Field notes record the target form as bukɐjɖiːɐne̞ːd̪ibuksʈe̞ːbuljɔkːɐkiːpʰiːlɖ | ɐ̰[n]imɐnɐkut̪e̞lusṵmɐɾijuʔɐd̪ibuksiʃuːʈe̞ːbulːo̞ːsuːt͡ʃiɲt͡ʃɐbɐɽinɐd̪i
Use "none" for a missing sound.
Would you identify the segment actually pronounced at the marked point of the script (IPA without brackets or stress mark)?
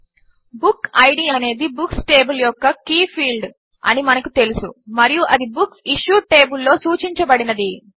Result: n